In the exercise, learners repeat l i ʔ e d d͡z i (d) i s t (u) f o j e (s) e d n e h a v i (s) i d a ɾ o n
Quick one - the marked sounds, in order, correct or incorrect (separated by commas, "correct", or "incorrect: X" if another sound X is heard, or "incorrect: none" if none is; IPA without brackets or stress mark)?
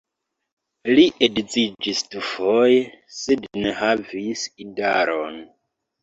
incorrect: d͡ʒ, correct, correct, correct